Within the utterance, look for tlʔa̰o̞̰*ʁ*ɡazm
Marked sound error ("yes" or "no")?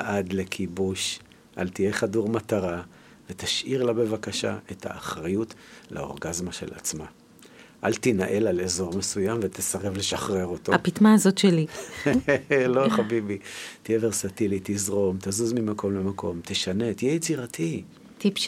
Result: no